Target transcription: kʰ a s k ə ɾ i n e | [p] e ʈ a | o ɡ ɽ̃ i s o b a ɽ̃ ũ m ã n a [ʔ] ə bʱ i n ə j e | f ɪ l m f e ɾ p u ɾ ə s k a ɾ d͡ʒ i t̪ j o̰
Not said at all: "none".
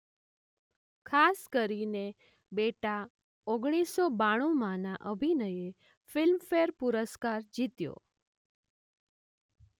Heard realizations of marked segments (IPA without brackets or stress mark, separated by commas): b, ʔ